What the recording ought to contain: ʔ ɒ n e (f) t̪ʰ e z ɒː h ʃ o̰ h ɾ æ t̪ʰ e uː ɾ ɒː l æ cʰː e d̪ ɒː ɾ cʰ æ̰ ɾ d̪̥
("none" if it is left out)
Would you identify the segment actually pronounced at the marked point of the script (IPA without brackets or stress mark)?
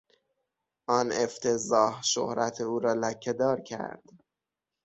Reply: f